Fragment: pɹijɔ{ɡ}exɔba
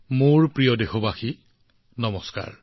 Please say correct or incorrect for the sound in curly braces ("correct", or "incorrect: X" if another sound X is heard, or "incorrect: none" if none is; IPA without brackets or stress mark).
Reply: incorrect: d